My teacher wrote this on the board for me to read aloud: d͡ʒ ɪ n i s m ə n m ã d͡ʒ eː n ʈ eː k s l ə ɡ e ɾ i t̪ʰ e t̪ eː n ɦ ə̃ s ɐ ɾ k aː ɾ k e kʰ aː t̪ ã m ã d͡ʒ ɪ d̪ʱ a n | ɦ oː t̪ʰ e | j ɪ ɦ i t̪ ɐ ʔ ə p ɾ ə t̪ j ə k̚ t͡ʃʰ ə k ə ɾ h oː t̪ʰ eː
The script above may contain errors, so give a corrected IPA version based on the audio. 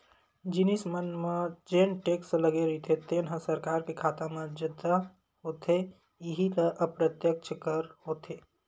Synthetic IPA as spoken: d͡ʒ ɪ n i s m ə n m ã d͡ʒ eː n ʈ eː k s l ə ɡ e ɾ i t̪ʰ e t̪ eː n ɦ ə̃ s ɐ ɾ k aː ɾ k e kʰ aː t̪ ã m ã d͡ʒ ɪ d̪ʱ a | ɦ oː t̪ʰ e | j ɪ ɦ i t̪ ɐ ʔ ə p ɾ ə t̪ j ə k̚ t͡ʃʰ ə k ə ɾ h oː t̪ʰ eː